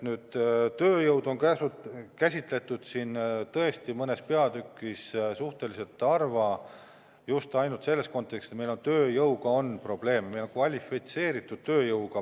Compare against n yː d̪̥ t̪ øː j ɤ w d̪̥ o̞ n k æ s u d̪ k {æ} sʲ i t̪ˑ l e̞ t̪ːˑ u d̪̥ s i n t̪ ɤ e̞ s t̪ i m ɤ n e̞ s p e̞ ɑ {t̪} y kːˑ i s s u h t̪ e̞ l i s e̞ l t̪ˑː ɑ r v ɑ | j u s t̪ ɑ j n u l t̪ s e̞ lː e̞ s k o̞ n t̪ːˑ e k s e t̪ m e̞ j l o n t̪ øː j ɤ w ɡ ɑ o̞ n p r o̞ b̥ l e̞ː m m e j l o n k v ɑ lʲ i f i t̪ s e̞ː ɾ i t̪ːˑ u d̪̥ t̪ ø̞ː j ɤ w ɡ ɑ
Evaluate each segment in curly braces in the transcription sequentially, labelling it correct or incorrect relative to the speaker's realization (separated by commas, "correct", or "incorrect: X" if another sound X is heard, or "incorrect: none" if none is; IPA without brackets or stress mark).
correct, incorrect: d̪